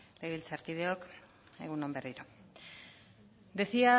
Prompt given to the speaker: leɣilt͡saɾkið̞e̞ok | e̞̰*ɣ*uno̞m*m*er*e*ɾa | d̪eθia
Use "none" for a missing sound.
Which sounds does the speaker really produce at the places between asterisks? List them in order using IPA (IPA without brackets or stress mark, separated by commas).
ɣ, b, i